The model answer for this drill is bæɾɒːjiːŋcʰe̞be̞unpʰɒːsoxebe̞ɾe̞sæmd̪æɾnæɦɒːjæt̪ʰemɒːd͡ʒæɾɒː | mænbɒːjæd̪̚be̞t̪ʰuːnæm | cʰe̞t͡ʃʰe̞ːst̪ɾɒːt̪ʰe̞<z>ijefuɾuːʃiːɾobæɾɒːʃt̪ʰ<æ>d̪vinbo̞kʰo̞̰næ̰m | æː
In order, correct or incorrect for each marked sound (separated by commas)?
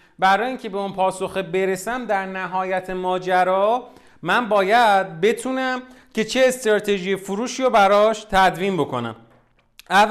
incorrect, correct